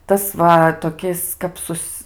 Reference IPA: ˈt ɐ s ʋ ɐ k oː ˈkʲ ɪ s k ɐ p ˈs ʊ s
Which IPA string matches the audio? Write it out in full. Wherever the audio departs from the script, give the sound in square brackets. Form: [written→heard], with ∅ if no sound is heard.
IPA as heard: ˈt ɐ s ʋ ɐ [k→t] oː ˈkʲ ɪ s k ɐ p ˈs ʊ s